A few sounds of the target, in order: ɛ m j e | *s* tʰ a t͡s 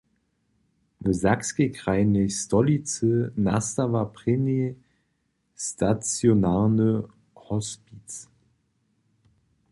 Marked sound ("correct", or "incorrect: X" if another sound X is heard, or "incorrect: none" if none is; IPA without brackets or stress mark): correct